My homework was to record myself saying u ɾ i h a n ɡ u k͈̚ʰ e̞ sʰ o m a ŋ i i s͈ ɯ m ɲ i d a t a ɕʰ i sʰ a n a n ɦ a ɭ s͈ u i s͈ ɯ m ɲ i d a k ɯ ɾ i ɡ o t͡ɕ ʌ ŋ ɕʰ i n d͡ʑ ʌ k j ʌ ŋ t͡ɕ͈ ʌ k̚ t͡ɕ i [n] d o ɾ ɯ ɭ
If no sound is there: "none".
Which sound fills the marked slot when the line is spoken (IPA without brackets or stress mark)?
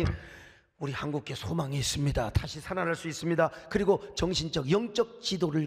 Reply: none